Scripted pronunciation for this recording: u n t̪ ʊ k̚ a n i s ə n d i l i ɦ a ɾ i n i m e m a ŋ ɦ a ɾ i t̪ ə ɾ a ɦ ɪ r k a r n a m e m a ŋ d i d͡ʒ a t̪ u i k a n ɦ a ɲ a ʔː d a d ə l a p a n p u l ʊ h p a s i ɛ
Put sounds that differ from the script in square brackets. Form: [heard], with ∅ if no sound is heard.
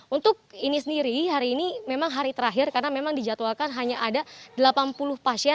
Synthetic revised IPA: u n t̪ ʊ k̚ [i] n i s ə n d i [ɾ] i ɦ a ɾ [iː] n i m e m a ŋ ɦ a ɾ i t̪ ə ɾ a ɦ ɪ r k a r n a m e m a ŋ d i d͡ʒ a t̪ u [a] k a n ɦ a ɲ a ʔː d a d ə l a p a n p u l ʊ h p a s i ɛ